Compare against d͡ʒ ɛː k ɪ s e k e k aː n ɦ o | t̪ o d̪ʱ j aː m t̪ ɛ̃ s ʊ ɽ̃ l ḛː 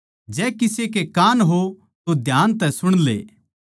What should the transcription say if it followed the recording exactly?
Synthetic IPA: d͡ʒ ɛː k ɪ s e k e k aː n ɦ o | t̪ o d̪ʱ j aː n t̪ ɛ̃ s ʊ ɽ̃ l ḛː